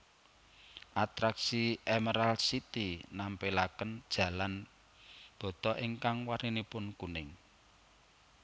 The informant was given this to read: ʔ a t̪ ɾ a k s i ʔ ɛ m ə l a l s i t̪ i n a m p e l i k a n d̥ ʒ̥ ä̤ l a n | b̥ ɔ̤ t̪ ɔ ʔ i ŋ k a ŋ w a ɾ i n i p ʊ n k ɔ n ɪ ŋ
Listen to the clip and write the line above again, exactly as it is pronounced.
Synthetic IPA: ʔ a t̪ ɾ a k s i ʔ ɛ m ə ɾ a l s i t̪ i n a m p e l a k ə n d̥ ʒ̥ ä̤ l a n | b̥ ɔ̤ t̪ ɔ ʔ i ŋ k a ŋ w a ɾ i n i p ʊ n k u n ɪ ŋ